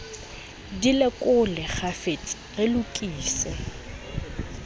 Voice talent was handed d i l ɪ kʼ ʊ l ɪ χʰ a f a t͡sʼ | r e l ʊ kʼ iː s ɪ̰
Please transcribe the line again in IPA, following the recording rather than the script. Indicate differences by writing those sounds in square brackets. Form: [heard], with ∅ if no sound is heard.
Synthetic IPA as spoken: d i l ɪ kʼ ʊ l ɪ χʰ a f [e] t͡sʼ | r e l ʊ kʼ iː s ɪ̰